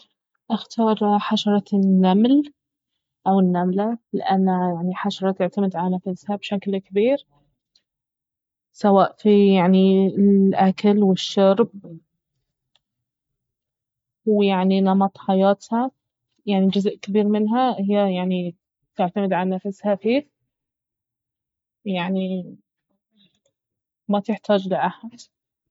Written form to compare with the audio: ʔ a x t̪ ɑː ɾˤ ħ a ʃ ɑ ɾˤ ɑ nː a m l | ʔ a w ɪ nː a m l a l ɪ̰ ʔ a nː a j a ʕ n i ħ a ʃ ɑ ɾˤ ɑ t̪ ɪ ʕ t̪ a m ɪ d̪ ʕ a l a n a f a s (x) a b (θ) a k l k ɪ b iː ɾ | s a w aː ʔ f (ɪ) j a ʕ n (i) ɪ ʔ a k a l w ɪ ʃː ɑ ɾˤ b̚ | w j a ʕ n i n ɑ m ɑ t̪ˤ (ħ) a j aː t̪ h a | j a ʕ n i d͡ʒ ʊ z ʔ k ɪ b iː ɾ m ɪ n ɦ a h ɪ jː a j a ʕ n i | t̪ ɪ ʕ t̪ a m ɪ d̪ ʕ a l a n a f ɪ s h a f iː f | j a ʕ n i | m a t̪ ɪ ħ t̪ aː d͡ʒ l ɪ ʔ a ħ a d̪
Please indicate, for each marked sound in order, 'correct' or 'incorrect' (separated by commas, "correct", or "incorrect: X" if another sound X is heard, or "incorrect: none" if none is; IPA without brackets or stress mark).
incorrect: h, incorrect: ʃ, incorrect: i, correct, correct